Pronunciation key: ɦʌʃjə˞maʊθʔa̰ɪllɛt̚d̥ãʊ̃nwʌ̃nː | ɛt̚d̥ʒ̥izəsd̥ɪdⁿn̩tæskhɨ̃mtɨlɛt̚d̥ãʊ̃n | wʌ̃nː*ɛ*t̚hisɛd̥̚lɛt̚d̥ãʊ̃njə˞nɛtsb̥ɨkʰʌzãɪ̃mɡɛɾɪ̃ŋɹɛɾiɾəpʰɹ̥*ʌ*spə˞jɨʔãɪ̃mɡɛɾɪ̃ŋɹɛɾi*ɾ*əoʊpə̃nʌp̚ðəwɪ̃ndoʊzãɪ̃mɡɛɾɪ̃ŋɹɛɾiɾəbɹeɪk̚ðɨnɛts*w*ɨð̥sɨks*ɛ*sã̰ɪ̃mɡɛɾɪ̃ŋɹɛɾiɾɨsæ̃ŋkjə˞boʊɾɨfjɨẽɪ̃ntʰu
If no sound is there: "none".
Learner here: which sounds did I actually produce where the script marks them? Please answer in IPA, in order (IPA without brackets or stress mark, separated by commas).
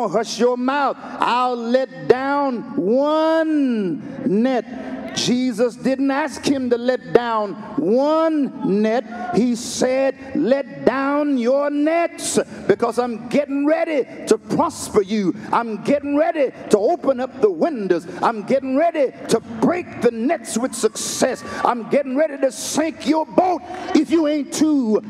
ɛ, ɑ, ɾ, w, ɛ